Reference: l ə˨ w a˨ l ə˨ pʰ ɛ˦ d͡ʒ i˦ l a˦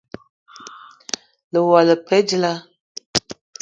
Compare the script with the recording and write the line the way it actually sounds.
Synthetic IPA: l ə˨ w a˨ l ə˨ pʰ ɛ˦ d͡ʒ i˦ l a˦

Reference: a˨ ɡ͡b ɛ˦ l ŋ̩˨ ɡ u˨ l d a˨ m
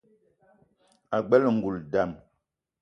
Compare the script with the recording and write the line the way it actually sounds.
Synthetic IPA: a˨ ɡ͡b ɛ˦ l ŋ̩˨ ɡ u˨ l d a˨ m

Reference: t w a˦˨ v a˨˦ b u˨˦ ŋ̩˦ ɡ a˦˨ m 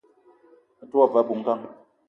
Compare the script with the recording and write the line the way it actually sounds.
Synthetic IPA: t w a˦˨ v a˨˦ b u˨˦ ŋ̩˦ k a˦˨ ŋ

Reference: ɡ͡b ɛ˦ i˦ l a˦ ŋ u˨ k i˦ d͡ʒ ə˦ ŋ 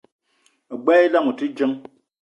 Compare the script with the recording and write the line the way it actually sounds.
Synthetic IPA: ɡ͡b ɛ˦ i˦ l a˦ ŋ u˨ t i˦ d͡ʒ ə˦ ŋ

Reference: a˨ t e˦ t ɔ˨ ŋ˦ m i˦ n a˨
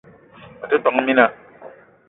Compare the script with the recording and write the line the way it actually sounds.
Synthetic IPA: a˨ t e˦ t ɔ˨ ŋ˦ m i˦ n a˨

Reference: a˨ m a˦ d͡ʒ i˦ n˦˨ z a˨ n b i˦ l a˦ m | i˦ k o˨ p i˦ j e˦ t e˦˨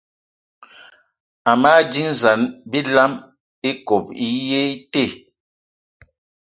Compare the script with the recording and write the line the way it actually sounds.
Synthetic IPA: a˨ m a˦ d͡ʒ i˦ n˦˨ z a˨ n b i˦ l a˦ m | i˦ k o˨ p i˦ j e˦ t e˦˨

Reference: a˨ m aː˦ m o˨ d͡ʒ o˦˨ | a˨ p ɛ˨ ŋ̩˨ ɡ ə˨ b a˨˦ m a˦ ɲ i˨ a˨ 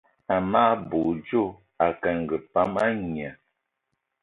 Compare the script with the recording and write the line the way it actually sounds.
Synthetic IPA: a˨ m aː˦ b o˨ d͡ʒ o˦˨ | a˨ k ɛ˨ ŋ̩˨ ɡ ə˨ p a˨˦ m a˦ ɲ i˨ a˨

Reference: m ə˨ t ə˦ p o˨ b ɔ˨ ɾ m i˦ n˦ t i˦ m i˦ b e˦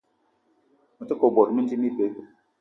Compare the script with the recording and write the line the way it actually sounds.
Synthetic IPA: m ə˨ t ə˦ k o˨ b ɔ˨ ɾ m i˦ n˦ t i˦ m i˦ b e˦

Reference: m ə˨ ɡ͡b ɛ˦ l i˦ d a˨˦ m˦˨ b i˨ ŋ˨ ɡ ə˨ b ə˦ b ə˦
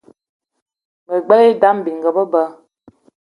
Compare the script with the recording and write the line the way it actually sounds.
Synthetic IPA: m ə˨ ɡ͡b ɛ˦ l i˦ d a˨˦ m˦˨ b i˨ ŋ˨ ɡ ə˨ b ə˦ b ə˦

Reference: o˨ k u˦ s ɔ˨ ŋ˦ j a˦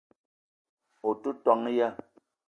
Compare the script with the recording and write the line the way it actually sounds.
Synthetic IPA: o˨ t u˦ t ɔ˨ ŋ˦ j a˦

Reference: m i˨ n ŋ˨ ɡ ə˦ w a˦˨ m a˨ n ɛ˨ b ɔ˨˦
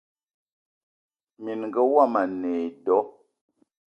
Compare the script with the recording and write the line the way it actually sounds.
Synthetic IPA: m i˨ n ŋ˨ ɡ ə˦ w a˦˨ m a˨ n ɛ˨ d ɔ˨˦

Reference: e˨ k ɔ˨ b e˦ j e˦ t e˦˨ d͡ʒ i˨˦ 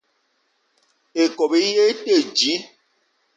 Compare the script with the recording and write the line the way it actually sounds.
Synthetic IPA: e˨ k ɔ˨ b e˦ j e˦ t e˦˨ d͡ʒ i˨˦

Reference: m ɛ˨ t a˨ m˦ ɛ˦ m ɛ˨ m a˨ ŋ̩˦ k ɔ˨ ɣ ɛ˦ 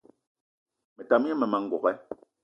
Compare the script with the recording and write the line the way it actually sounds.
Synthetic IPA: m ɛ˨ t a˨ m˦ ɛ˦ m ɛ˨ m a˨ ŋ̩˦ ɡ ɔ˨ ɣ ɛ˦

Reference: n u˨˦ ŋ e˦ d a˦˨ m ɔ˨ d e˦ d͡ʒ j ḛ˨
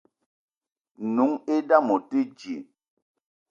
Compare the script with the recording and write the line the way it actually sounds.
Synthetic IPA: n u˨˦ ŋ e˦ d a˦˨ m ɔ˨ t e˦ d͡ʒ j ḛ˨

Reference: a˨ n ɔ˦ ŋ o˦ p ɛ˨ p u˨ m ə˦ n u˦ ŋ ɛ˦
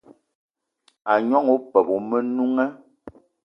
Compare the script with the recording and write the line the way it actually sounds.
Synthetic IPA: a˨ ɲ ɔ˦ ŋ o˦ p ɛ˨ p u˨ m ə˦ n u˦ ŋ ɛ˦

